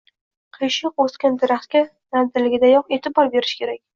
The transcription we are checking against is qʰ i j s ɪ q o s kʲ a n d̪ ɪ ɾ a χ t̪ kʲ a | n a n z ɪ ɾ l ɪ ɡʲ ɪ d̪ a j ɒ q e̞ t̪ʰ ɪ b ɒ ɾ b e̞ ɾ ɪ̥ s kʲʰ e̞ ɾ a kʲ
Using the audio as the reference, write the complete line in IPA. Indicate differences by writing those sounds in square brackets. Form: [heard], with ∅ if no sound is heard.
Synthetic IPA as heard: qʰ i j [ʃ] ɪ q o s kʲ a n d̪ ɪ ɾ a χ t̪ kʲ a | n a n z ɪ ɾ l ɪ ɡʲ ɪ d̪ a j ɒ q e̞ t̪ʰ ɪ b ɒ ɾ b e̞ ɾ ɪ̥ [ʃ] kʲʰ e̞ ɾ a kʲ